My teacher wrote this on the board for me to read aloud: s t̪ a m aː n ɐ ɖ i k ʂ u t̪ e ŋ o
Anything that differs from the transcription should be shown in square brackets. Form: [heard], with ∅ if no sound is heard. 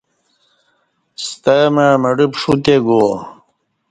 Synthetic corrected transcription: s t̪ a m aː [m] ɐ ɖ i [p] ʂ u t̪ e [ɡ] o